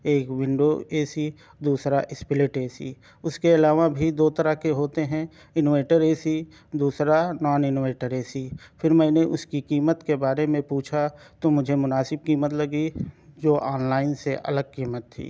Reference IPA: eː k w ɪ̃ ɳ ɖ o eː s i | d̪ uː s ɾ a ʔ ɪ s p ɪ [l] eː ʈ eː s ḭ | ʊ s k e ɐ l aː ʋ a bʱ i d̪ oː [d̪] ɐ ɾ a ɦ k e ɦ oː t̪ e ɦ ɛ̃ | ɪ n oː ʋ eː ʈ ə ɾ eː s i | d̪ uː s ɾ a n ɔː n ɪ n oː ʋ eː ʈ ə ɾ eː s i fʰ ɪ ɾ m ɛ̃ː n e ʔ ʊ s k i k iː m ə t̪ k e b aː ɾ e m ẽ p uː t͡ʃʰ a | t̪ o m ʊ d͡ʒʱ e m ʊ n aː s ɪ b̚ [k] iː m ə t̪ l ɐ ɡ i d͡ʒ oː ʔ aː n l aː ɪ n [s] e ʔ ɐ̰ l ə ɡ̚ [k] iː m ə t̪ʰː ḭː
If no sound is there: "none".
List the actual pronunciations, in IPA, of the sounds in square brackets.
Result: l, t̪, k, s, k

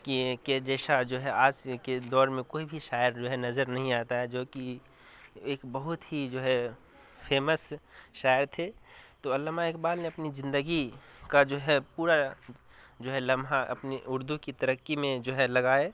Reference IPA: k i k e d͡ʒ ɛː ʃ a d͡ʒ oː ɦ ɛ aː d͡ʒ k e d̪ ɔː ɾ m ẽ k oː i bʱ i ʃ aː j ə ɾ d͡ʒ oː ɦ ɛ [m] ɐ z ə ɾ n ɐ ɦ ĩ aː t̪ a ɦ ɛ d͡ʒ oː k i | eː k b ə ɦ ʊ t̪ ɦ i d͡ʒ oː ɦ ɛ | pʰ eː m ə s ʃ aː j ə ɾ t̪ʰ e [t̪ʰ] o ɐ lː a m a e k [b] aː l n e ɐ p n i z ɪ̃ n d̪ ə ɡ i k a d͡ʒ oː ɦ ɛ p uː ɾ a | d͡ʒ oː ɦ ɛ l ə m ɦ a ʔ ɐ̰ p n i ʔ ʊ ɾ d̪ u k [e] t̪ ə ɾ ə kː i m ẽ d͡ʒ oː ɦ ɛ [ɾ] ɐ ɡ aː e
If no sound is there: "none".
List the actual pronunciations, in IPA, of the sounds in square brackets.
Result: n, t̪, b, i, l

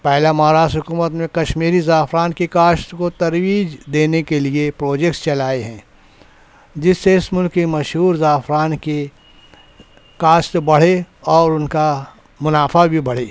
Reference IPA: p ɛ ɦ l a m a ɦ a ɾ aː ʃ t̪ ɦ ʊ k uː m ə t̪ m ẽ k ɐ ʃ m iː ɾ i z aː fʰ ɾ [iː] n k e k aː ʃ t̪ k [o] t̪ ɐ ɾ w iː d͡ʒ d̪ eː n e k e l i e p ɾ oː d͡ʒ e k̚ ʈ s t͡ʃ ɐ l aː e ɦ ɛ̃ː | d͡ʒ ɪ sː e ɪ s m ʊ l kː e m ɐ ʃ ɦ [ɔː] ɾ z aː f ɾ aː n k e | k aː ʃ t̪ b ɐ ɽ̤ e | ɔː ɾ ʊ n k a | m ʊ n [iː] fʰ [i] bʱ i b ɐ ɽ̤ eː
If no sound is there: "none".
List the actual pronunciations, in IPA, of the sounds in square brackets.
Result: aː, o, uː, aː, a

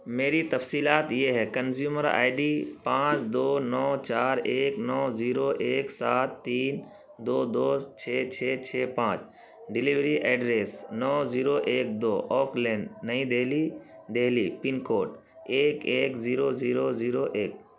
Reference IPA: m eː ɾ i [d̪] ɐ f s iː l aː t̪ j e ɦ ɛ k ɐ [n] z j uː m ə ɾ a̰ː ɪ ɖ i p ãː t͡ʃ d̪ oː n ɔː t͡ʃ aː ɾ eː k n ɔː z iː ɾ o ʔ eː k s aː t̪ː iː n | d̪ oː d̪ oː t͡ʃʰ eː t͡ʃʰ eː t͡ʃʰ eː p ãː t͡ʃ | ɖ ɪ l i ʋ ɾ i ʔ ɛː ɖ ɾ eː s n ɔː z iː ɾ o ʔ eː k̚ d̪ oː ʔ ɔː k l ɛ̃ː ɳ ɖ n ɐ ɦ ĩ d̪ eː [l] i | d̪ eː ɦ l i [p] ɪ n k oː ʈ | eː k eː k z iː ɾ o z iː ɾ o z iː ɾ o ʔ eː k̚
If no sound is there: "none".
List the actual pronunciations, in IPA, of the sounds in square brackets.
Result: t̪, n, l, p

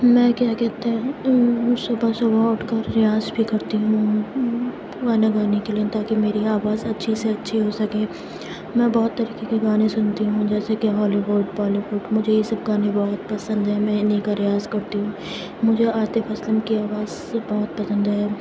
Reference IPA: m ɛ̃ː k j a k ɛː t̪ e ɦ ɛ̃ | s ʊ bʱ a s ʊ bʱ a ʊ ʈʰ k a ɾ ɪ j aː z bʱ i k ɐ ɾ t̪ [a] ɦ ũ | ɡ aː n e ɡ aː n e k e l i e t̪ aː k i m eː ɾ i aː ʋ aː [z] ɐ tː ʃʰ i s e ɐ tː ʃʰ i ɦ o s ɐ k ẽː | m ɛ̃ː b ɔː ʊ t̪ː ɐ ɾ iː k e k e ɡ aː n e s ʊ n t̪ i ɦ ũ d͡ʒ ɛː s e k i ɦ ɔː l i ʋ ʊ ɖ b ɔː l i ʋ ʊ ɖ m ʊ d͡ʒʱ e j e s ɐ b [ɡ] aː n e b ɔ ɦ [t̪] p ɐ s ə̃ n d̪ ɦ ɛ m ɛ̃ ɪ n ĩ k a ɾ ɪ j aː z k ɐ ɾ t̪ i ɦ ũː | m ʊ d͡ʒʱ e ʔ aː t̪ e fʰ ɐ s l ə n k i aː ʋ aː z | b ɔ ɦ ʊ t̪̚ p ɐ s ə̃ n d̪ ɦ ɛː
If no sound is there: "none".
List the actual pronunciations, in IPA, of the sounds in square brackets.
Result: i, z, ɡ, t̪

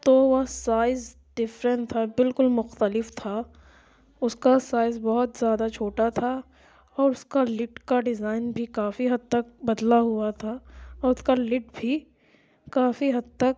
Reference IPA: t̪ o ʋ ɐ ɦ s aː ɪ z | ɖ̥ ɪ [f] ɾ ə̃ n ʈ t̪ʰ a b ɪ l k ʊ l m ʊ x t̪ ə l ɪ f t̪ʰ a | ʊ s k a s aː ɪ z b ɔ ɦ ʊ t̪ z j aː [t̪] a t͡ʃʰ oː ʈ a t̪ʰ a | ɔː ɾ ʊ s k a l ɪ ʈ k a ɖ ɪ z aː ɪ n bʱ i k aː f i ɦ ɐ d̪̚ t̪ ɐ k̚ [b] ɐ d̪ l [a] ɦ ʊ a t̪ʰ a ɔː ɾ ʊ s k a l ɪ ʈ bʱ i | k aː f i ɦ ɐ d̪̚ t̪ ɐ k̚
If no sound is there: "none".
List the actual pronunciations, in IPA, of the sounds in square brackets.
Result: f, d̪, b, a

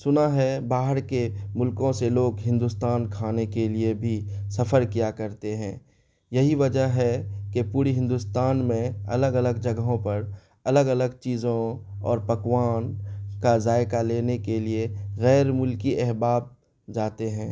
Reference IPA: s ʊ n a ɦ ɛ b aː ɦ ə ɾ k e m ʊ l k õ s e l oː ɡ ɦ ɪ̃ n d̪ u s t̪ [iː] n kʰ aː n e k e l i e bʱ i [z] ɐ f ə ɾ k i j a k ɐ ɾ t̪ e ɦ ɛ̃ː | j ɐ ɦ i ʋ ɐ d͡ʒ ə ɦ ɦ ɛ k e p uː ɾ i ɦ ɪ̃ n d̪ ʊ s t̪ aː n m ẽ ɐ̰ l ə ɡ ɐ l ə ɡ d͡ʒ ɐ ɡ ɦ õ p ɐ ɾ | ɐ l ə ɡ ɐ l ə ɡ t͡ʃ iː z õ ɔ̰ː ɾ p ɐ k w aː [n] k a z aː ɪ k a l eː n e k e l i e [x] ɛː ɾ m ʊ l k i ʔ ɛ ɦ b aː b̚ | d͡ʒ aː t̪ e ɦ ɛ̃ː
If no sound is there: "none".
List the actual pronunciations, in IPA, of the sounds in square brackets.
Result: aː, s, n, ɣ

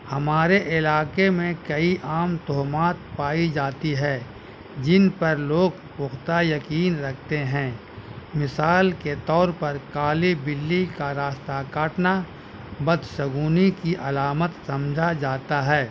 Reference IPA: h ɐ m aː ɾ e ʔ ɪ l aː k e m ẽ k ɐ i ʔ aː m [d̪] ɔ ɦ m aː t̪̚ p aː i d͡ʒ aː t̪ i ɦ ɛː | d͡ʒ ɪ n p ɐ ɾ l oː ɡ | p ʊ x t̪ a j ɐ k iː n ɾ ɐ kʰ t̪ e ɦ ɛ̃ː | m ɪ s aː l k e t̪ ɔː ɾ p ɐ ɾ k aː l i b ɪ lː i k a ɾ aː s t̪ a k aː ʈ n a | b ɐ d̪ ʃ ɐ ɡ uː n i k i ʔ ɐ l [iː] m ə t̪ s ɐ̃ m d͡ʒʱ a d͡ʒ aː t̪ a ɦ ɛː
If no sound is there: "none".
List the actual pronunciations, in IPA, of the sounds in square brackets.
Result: t̪, aː

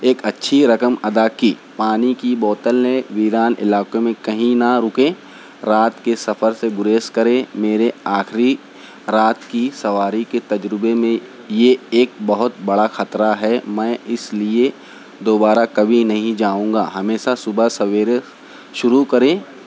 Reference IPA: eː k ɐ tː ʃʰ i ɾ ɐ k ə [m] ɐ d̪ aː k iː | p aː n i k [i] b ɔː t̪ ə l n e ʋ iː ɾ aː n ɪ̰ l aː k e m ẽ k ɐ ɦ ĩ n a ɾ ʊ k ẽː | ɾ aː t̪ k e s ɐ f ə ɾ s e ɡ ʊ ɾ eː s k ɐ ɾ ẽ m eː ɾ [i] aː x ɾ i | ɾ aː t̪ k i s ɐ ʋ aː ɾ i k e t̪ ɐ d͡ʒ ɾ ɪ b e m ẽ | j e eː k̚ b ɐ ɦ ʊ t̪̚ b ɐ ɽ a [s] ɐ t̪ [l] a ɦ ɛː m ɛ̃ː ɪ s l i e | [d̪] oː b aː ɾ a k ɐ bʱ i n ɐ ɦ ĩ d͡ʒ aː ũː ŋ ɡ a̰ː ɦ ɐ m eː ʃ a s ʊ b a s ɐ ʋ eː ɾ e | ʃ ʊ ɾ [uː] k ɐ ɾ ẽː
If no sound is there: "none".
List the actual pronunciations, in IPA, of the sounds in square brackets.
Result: m, i, e, x, ɾ, d̪, u

